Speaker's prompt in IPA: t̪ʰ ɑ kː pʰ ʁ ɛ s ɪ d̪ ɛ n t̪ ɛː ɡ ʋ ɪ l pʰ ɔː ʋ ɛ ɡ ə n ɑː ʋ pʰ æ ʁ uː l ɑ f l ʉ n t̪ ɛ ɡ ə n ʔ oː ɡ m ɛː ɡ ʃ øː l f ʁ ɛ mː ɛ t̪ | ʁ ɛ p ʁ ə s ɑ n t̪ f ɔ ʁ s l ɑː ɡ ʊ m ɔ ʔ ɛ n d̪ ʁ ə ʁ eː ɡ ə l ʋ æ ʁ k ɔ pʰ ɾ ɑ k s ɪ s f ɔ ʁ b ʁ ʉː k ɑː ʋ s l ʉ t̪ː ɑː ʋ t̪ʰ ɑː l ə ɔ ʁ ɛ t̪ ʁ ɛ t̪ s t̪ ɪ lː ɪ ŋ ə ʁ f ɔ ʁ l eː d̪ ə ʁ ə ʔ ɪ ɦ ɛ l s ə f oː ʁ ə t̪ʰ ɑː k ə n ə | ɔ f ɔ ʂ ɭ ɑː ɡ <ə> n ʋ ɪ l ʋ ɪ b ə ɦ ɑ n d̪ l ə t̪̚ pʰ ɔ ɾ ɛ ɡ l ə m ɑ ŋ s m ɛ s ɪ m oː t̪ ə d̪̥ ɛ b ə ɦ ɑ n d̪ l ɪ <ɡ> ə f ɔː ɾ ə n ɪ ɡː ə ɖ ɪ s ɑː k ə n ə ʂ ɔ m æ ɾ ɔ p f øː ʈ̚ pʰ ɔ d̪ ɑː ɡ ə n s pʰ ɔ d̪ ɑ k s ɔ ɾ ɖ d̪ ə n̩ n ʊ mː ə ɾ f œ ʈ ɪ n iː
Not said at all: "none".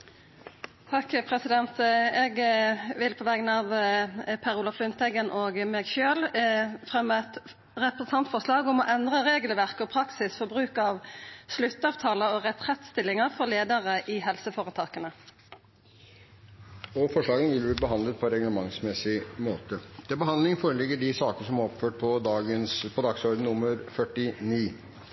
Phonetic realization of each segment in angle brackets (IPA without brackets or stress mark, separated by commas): ə, ŋ